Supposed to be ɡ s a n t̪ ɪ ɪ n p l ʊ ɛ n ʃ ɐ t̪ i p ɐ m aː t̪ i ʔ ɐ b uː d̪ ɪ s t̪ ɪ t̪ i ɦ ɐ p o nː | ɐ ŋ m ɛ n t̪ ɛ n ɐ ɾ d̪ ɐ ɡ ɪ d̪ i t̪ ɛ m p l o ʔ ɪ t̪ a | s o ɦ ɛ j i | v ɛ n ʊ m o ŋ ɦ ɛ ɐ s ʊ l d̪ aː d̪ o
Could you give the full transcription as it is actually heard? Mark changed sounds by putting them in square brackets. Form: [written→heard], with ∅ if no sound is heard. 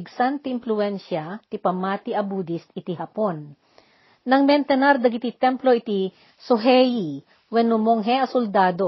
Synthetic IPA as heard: ɡ s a n t̪ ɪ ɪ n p l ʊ ɛ n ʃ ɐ t̪ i p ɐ m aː t̪ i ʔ ɐ b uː d̪ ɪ s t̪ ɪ t̪ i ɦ ɐ p o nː | ɐ ŋ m ɛ n t̪ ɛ n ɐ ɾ d̪ ɐ ɡ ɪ [d̪→t̪] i t̪ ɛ m p l o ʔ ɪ t̪ [a→i] | s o ɦ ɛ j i | [v→w] ɛ n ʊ m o ŋ ɦ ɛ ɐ s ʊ l d̪ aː d̪ o